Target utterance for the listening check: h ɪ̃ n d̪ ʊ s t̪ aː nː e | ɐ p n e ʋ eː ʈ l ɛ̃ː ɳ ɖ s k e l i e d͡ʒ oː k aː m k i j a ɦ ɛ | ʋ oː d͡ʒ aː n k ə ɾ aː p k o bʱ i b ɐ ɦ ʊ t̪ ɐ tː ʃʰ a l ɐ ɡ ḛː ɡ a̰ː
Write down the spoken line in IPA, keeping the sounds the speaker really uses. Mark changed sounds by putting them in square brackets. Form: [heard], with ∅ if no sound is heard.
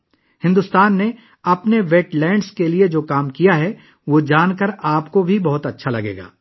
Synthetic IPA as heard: h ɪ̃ n d̪ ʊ s t̪ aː nː e | ɐ p n e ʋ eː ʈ l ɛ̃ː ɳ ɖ s k e l i e d͡ʒ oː k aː m k i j a ɦ ɛ | ʋ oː d͡ʒ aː n k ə ɾ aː p k o bʱ i b ɐ ɦ ʊ t̪ ɐ tː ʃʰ a l ɐ ɡ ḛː ɡ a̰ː